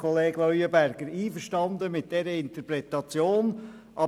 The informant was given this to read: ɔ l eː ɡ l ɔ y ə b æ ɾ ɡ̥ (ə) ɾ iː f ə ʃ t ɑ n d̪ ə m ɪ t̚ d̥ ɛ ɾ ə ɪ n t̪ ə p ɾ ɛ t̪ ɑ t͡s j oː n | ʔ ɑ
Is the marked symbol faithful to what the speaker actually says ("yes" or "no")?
yes